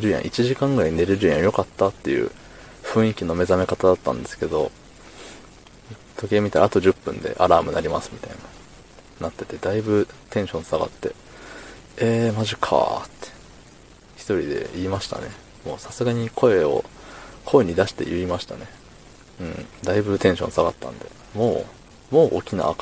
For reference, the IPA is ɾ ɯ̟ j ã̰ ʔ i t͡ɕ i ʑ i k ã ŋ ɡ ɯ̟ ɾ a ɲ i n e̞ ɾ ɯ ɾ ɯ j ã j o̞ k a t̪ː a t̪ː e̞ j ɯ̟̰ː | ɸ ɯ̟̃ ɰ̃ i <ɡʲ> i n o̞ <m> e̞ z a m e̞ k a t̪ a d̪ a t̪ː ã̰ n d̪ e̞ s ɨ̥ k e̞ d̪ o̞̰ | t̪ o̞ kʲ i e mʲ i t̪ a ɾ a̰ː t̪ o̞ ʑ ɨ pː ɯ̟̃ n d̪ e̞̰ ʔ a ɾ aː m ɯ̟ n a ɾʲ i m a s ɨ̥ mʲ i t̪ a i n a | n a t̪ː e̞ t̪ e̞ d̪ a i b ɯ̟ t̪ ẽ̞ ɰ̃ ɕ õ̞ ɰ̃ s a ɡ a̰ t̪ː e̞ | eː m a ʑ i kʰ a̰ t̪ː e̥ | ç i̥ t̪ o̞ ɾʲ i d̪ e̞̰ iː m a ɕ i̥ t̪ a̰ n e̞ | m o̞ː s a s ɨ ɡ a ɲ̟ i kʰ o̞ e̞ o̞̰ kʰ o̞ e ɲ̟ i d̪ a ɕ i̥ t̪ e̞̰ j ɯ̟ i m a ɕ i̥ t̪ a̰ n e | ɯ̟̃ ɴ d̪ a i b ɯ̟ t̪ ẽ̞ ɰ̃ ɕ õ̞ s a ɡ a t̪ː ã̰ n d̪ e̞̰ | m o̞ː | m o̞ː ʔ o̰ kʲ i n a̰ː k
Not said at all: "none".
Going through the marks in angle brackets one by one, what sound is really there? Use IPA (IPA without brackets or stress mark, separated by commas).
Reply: kʲ, m